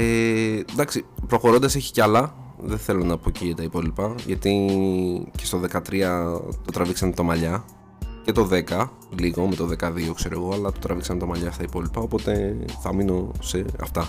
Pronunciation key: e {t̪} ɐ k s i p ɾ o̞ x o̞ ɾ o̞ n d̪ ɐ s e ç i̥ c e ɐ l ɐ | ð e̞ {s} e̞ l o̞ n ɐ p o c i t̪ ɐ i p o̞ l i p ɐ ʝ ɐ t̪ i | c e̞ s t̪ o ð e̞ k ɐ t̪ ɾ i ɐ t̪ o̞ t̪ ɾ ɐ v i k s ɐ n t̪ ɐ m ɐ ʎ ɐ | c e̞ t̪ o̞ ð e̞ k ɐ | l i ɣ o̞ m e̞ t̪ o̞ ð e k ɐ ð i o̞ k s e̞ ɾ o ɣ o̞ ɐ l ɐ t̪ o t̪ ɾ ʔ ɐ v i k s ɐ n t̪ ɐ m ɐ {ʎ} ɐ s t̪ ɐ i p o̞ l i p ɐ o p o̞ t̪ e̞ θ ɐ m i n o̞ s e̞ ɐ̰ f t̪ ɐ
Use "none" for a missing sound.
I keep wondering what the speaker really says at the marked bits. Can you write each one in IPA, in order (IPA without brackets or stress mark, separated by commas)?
d̪, θ, ʎ